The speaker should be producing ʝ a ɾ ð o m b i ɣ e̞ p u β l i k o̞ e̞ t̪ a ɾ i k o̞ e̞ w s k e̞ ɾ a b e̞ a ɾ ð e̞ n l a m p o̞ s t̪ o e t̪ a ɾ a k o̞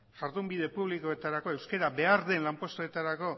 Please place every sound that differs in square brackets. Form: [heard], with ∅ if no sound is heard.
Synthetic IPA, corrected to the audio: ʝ a ɾ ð [u] m b i [ð] e̞ p u β l i k o̞ e̞ t̪ a ɾ [a] k o̞ e̞ w s k e̞ ɾ a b e̞ a ɾ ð e̞ n l a m p o̞ s t̪ o e t̪ a ɾ a k o̞

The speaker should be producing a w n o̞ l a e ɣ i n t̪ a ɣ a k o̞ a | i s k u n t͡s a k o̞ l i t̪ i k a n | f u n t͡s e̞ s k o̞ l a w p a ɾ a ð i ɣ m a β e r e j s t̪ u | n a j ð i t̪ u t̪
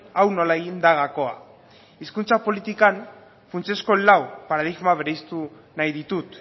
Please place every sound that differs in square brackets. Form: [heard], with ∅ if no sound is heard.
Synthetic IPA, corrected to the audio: a w n o̞ l a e ɣ i n [d̪] a ɣ a k o̞ a | i s k u n t͡s a [p] o̞ l i t̪ i k a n | f u n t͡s e̞ s k o̞ l a w p a ɾ a ð i ɣ m a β e [ɾ] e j s t̪ u | n a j ð i t̪ u t̪

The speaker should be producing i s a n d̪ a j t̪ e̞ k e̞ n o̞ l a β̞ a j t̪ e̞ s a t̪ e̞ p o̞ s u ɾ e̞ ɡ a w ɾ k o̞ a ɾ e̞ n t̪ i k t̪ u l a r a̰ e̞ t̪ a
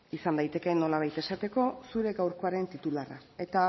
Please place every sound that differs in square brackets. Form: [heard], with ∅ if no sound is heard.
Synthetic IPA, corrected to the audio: i s a n d̪ a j t̪ e̞ k e̞ n o̞ l a β̞ a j t̪ e̞ s a t̪ e̞ [k] o̞ s u ɾ e̞ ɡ a w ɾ k o̞ a ɾ e̞ n t̪ i [∅] t̪ u l a r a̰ e̞ t̪ a

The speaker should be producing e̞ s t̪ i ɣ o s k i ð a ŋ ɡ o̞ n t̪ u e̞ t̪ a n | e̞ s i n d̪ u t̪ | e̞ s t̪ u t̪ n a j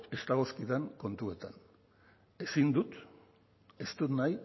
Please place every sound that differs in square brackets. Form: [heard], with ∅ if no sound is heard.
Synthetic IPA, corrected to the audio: e̞ s t̪ [a] ɣ o s k i ð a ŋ [k] o̞ n t̪ u e̞ t̪ a n | e̞ s i n d̪ u t̪ | e̞ s t̪ u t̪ n a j

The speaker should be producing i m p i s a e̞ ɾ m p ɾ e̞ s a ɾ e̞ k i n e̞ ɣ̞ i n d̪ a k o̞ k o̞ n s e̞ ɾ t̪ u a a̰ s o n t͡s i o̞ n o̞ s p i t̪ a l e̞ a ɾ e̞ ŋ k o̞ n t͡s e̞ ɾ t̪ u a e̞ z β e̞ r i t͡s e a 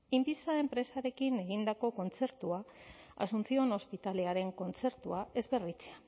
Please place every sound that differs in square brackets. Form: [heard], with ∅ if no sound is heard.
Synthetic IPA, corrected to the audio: i m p i s a e̞ [∅] m p ɾ e̞ s a ɾ e̞ k i n e̞ ɣ̞ i n d̪ a k o̞ k o̞ n [t͡s] e̞ ɾ t̪ u a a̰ s [u] n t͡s i o̞ n o̞ s p i t̪ a l e̞ a ɾ e̞ ŋ k o̞ n t͡s e̞ ɾ t̪ u a e̞ z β e̞ r i t͡s e a

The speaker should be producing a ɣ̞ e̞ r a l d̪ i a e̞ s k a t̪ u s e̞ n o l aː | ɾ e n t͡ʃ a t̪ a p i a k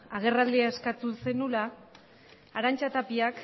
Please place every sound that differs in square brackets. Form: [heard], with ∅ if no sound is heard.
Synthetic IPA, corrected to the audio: a ɣ̞ e̞ r a l d̪ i a e̞ s k a t̪ u s e̞ n [u] l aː | ɾ [a] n t͡ʃ a t̪ a p i a k

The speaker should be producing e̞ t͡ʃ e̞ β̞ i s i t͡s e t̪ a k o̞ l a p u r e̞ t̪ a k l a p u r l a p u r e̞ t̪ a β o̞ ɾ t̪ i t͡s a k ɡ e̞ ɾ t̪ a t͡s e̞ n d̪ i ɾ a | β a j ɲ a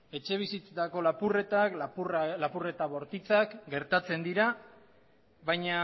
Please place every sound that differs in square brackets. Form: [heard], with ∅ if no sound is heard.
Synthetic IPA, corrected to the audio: e̞ t͡ʃ e̞ β̞ i s i t͡s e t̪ a k o̞ l a p u r e̞ t̪ a k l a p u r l a p u r e̞ t̪ a β o̞ ɾ t̪ i t͡s a k ɡ e̞ ɾ t̪ a t͡s e̞ n d̪ i ɾ a | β a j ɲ a

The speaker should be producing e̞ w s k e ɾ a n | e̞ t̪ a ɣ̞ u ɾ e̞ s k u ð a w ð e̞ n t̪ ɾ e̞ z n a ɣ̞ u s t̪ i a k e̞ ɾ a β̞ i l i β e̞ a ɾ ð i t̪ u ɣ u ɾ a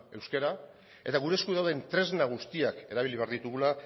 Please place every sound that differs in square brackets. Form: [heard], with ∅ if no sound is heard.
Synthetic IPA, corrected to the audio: e̞ w s k e ɾ a [∅] | e̞ t̪ a ɣ̞ u ɾ e̞ s k u ð a w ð e̞ n t̪ ɾ e̞ z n a ɣ̞ u s t̪ i a k e̞ ɾ a β̞ i l i β e̞ a ɾ ð i t̪ u ɣ u [l] a

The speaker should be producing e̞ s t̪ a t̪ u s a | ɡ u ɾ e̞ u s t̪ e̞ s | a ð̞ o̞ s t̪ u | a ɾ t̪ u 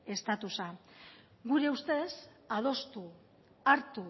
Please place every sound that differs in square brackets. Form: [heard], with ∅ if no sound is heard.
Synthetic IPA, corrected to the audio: e̞ s t̪ a t̪ u s a | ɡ u ɾ e̞ u s t̪ e̞ s | a ð̞ o̞ s t̪ u | a ɾ t̪ u

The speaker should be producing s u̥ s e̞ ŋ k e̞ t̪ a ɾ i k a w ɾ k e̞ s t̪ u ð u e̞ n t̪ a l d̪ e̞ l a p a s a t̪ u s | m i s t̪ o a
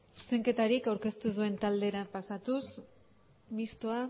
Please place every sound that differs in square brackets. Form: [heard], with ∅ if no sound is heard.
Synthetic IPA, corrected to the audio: s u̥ s e̞ ŋ k e̞ t̪ a ɾ i k a w ɾ k e̞ s t̪ u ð u e̞ n t̪ a l d̪ e̞ [ɾ] a p a s a t̪ u s | m i s t̪ o a

